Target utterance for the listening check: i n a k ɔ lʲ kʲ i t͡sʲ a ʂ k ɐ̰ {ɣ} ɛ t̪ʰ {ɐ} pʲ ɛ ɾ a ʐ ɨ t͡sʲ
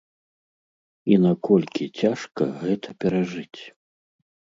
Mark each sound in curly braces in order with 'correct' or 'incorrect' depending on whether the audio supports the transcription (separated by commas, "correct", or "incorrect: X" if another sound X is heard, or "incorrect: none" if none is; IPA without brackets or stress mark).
correct, correct